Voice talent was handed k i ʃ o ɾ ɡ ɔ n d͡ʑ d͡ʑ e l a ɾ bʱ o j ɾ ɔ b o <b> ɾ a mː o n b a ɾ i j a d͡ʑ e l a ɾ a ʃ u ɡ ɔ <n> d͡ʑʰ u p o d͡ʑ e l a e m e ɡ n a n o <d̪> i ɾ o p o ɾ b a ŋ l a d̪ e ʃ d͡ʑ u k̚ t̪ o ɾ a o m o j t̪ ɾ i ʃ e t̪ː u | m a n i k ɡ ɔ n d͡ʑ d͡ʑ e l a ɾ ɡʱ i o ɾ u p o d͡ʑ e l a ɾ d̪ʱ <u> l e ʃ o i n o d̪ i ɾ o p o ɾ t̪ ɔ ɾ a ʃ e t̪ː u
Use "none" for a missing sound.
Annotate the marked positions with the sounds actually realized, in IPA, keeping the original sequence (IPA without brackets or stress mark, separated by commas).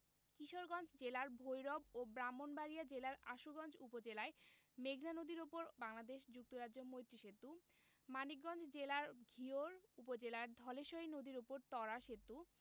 b, n, d̪, ɔ